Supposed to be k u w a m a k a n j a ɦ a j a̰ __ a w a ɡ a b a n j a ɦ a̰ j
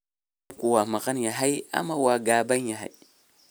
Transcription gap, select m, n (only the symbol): m